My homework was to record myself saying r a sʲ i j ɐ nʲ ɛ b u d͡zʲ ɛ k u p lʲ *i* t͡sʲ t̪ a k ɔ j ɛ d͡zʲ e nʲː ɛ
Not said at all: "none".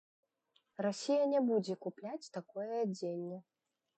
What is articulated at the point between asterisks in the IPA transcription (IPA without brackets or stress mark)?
a